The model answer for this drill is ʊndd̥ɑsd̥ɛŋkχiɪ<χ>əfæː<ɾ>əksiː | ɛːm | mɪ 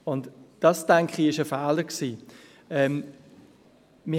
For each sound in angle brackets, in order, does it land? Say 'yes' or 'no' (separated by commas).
no, no